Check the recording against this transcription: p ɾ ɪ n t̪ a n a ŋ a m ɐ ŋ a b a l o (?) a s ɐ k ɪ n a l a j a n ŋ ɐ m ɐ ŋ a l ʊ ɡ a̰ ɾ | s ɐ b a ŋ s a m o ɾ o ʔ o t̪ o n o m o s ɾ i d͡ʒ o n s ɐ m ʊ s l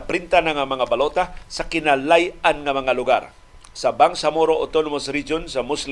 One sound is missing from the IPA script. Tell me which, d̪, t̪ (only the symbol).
t̪